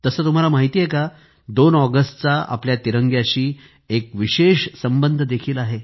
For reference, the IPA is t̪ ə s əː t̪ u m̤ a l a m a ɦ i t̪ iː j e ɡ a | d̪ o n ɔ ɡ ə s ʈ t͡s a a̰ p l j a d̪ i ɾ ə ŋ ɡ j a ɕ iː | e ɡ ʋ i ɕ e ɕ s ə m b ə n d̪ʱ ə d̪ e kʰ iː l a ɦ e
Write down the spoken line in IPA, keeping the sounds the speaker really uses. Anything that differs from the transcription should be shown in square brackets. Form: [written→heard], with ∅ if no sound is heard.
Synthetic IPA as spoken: t̪ ə s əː t̪ u m̤ a l a m a ɦ i t̪ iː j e [ɡ→k] a | d̪ o n ɔ ɡ ə s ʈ t͡s a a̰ p l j a [d̪→t̪] i ɾ ə ŋ ɡ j a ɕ iː | e [ɡ→k] ʋ i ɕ e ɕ s ə m b ə n d̪ʱ ə d̪ e kʰ iː l a ɦ e